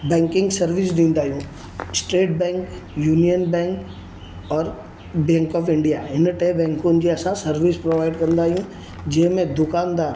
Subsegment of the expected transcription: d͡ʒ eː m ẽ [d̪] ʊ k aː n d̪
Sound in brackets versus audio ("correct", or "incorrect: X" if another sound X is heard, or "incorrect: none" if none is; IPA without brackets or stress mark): correct